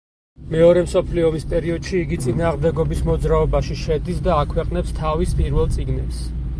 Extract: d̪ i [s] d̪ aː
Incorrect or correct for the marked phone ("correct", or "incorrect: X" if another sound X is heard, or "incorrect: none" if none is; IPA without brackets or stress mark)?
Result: correct